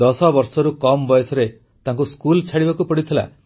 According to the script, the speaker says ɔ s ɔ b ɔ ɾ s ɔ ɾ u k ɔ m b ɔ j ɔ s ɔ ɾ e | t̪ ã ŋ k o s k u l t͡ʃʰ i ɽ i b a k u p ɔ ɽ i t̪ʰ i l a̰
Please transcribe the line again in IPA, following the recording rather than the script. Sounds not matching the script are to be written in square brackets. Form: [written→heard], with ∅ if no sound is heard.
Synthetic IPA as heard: ɔ s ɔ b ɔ ɾ s ɔ ɾ u k ɔ m b ɔ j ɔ s ɔ ɾ e | t̪ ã ŋ k [o→u] s k u l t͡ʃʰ [i→a] ɽ i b a k u p ɔ ɽ i t̪ʰ i l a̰